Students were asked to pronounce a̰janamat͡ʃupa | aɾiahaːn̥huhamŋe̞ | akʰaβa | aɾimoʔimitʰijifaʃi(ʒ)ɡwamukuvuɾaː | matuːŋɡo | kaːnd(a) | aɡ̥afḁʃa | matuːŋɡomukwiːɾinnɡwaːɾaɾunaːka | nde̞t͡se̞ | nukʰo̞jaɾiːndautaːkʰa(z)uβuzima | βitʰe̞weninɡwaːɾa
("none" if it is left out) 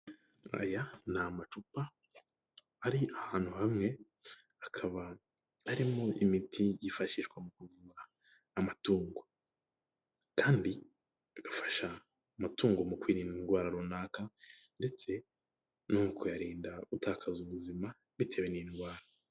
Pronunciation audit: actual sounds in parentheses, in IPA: ʃ, i, z

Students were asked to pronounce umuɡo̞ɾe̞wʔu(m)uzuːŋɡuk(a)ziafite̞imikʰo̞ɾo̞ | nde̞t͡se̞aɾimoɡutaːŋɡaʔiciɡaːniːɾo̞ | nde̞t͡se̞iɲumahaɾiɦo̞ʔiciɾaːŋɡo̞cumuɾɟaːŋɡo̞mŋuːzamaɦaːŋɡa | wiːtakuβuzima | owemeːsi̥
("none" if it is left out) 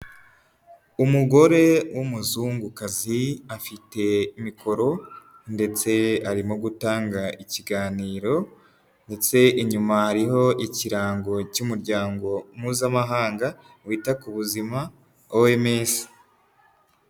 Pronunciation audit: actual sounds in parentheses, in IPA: m, a

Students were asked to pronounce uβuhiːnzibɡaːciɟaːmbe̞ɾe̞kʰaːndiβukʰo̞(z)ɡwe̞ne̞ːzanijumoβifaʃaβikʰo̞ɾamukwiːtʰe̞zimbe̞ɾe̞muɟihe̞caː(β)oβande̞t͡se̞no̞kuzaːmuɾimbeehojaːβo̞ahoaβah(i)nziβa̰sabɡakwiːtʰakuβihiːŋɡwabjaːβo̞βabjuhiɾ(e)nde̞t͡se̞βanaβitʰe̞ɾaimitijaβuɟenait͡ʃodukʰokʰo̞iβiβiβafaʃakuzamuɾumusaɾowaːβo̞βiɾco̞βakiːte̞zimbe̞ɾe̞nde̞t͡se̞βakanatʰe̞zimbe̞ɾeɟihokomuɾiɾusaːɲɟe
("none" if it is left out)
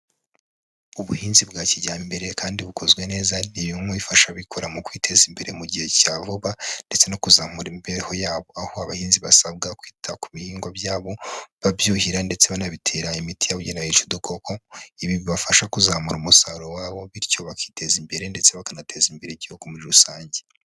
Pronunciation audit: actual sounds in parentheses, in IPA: z, v, iː, a

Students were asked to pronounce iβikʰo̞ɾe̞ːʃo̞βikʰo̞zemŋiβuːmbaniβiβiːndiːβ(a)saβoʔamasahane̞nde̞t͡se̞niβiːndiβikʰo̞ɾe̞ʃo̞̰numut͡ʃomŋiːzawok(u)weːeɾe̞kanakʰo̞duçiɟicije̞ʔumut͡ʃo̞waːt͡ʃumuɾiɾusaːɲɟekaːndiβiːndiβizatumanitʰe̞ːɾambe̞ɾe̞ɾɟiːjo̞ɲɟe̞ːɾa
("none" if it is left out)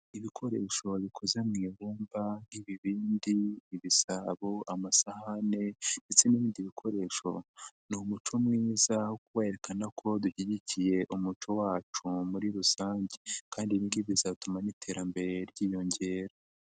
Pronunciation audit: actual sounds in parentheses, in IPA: i, u

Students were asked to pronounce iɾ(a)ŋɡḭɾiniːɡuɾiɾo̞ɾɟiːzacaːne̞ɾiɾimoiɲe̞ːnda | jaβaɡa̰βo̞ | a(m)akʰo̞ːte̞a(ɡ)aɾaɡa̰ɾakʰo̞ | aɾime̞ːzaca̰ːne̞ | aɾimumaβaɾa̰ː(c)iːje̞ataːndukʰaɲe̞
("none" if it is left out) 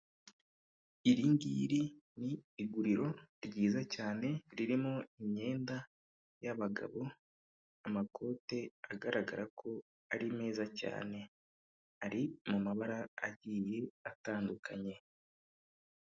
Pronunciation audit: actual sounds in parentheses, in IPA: i, m, ɡ, ɟ

